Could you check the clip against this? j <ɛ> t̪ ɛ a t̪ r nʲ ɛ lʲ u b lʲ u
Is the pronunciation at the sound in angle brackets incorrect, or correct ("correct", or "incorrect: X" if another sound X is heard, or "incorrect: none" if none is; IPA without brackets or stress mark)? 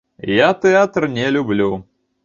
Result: incorrect: a